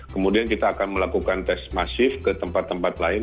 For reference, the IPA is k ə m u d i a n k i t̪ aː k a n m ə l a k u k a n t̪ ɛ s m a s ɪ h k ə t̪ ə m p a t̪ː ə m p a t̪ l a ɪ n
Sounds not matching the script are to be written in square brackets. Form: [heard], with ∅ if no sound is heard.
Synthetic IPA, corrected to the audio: k ə m u d i a n k i t̪ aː k a n m ə l a k u k a n t̪ ɛ s m a s ɪ [f] k ə t̪ ə m p a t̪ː ə m p a t̪ l a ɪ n